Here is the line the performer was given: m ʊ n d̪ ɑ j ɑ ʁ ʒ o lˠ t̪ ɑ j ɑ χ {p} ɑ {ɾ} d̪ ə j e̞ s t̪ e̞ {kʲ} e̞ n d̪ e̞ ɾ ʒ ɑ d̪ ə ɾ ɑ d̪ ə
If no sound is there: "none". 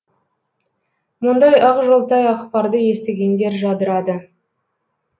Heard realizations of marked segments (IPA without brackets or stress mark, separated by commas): p, ɾ, ɡʲ